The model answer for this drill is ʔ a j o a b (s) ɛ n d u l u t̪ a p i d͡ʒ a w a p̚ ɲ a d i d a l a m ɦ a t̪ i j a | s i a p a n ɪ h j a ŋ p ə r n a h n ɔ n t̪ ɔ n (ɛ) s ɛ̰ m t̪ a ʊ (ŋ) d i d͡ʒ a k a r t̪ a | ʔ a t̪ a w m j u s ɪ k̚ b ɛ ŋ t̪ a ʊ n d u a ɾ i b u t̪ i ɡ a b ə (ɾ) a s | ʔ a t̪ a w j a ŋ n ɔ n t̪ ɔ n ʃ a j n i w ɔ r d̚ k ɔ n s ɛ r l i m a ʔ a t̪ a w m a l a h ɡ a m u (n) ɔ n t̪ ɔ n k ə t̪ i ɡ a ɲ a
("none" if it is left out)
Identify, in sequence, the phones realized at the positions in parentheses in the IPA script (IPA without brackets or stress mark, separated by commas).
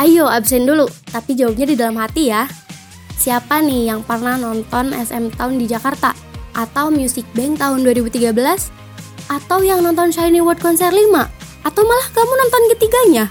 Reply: s, ɛ, n, l, n